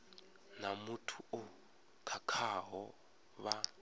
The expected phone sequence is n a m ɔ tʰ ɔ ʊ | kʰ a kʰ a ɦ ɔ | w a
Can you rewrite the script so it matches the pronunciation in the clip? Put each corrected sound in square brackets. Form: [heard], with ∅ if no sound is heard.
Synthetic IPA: n a m [u] tʰ [u] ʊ | kʰ a kʰ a ɦ ɔ | [β] a